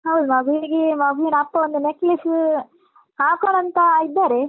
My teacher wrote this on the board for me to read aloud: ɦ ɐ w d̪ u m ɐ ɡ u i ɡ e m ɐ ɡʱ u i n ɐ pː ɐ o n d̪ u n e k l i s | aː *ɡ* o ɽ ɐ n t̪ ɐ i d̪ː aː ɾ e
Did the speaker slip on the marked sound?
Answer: yes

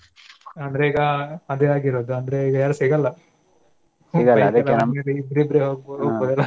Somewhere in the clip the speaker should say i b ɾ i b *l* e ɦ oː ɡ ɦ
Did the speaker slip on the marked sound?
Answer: yes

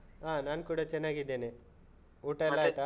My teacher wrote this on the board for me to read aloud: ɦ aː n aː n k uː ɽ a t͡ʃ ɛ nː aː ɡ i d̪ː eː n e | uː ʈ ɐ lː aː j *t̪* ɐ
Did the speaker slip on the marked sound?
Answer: no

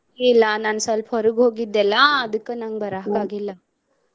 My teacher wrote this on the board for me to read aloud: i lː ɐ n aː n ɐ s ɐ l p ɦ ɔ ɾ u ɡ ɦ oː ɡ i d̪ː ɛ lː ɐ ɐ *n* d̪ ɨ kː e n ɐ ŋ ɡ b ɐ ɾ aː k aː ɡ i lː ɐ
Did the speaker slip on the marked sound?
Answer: yes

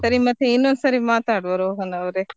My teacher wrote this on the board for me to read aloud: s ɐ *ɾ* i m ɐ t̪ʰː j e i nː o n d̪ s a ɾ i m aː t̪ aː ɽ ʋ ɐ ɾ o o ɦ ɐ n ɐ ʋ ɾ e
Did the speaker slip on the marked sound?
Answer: no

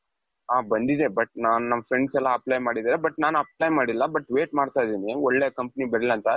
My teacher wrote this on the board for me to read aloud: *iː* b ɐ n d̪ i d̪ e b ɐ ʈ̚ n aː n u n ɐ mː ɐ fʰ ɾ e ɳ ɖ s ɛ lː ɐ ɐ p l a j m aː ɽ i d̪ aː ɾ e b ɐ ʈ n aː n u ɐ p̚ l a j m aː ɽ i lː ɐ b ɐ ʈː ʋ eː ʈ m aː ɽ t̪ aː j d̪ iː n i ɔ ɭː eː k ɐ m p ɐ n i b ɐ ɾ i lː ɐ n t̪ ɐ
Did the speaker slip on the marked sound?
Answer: yes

